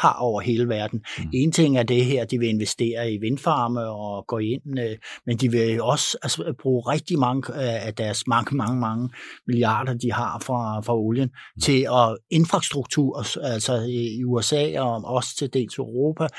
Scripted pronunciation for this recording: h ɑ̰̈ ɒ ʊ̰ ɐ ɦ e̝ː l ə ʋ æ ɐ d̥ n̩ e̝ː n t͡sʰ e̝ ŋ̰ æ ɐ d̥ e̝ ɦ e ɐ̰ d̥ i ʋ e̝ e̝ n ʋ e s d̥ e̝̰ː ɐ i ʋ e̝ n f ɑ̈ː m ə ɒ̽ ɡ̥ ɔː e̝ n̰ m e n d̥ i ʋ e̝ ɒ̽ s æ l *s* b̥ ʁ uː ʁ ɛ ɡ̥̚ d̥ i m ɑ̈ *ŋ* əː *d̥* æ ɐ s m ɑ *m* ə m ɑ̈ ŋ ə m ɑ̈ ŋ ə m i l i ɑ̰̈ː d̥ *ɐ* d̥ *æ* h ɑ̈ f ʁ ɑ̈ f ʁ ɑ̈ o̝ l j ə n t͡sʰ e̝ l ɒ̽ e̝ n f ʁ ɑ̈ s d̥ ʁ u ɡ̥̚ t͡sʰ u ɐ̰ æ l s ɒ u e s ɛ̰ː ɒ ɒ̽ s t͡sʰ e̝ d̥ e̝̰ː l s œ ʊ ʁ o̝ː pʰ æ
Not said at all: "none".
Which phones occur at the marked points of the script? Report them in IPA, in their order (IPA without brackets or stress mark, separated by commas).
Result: s, ŋ, d̥, ŋ, ɐ, i